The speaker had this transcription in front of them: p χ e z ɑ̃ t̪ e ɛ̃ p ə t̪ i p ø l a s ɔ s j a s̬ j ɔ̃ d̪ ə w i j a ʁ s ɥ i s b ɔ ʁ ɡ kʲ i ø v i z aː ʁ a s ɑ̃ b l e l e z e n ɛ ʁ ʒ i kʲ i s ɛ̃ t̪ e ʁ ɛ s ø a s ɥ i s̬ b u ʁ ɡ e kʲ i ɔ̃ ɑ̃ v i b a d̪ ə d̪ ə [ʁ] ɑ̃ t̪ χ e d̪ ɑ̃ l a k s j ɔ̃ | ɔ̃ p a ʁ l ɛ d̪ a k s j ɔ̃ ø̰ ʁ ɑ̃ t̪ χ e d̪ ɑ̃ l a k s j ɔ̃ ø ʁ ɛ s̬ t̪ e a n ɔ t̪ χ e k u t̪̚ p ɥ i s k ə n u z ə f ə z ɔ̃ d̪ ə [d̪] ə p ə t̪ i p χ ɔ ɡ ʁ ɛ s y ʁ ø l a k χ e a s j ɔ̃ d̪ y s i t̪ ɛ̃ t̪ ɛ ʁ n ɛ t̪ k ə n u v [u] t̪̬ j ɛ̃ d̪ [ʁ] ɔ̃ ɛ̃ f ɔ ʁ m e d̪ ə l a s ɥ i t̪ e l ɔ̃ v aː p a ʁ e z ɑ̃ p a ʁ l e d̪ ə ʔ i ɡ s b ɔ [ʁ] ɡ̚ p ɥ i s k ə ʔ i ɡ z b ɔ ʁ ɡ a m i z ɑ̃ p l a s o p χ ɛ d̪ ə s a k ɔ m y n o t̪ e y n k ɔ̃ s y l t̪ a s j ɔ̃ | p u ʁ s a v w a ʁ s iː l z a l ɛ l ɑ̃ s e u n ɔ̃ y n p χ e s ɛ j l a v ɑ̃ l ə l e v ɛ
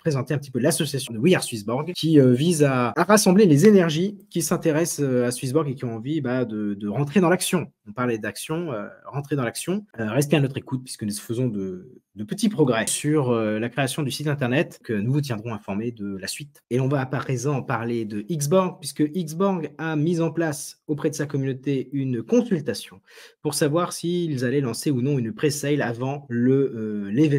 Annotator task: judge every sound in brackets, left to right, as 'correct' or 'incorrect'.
correct, correct, correct, correct, correct

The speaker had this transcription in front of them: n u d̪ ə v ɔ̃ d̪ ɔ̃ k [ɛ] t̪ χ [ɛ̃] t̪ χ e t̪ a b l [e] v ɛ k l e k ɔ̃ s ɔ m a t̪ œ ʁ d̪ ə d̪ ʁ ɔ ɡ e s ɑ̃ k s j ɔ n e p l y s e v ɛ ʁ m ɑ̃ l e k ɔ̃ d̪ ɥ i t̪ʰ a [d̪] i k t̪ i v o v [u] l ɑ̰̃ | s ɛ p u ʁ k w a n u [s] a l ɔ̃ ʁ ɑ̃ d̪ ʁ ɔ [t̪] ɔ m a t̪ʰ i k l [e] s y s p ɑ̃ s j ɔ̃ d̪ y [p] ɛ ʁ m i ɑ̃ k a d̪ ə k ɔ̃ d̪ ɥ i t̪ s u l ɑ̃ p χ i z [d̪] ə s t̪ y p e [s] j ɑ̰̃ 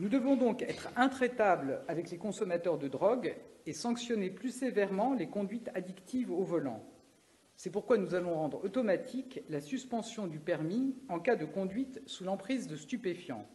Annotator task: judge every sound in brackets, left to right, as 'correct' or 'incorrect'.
correct, correct, incorrect, correct, incorrect, incorrect, correct, incorrect, correct, correct, incorrect

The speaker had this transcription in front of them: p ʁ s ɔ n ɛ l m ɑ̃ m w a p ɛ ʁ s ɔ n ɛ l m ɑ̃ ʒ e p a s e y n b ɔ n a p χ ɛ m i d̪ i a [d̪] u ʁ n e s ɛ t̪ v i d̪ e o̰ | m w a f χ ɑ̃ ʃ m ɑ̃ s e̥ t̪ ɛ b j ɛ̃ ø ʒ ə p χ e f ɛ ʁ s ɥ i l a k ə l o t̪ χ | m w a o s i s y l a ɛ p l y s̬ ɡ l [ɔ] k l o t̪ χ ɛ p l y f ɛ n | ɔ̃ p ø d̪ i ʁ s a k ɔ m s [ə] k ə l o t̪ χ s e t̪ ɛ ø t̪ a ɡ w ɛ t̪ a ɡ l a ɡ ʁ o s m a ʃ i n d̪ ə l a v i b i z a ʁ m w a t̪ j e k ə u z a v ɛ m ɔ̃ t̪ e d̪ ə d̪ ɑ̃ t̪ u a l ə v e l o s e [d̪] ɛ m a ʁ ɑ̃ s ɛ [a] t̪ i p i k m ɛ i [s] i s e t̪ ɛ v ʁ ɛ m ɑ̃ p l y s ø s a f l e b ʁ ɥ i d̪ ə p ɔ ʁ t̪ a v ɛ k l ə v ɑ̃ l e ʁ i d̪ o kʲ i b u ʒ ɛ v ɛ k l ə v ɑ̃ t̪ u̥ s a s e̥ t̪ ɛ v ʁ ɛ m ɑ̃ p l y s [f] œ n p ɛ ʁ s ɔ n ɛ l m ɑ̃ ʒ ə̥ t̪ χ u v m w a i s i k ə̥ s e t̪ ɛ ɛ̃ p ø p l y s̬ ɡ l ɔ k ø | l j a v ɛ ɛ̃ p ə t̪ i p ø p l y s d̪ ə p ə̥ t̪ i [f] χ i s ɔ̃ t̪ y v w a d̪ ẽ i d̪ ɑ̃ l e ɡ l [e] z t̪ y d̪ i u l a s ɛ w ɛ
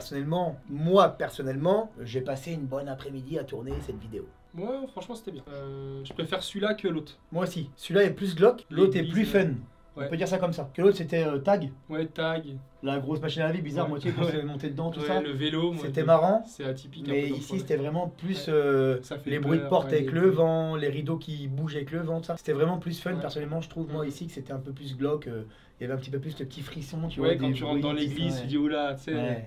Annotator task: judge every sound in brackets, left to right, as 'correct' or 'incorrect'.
incorrect, correct, incorrect, incorrect, correct, correct, correct, correct, incorrect

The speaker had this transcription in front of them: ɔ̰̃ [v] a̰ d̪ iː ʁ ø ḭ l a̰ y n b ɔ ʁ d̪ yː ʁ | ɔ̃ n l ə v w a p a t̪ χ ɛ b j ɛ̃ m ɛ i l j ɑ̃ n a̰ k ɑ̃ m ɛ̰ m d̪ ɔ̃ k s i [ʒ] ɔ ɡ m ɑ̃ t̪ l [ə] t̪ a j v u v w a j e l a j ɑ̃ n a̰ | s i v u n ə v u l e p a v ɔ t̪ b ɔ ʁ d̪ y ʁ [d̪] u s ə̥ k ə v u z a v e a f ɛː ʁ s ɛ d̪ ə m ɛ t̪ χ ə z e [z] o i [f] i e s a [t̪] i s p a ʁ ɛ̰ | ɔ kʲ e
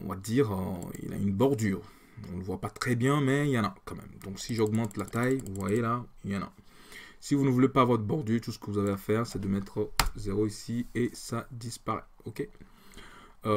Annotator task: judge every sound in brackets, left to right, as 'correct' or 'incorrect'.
correct, correct, incorrect, incorrect, incorrect, incorrect, incorrect

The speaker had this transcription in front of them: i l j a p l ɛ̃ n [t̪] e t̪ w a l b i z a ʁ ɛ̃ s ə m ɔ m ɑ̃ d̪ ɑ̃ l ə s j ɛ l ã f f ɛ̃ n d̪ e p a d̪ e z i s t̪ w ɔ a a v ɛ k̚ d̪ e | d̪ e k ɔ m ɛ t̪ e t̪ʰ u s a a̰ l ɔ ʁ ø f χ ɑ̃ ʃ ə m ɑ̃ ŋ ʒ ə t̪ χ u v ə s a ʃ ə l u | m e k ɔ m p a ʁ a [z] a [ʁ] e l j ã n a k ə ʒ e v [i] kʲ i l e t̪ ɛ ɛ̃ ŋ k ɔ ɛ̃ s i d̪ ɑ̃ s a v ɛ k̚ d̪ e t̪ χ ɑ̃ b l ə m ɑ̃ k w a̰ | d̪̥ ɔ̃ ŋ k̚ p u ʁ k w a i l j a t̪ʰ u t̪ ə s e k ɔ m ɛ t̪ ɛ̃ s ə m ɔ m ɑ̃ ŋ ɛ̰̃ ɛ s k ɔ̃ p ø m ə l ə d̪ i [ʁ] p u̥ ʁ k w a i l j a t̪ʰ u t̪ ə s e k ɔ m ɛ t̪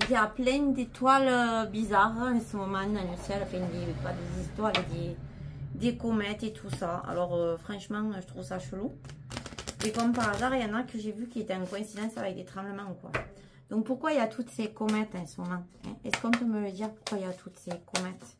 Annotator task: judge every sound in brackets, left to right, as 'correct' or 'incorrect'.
incorrect, correct, correct, incorrect, correct

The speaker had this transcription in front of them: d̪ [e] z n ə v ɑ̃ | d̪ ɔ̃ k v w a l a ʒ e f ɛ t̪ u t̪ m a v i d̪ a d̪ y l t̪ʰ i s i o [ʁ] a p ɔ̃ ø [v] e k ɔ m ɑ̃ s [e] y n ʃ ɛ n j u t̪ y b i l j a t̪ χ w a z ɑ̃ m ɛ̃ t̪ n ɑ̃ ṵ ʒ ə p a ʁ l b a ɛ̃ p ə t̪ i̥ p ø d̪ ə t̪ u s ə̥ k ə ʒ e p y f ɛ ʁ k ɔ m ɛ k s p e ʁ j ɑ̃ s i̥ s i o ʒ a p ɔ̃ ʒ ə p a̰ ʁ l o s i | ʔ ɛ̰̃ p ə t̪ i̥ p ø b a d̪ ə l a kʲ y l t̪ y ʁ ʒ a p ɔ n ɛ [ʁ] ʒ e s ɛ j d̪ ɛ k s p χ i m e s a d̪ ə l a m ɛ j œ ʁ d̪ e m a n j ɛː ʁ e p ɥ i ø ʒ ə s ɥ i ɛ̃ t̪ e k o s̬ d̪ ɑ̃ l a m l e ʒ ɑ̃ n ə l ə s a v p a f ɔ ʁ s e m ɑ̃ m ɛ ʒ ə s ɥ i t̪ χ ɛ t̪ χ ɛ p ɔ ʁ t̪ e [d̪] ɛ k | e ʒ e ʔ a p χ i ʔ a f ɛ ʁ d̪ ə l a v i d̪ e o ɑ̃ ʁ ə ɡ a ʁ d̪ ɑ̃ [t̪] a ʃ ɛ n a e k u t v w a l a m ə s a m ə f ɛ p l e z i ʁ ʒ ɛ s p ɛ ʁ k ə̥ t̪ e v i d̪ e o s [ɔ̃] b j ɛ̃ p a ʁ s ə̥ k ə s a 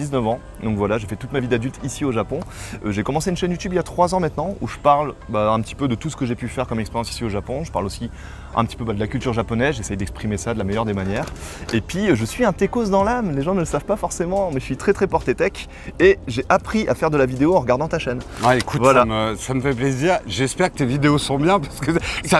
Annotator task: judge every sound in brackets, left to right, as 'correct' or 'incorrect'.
incorrect, incorrect, incorrect, correct, incorrect, incorrect, correct, correct

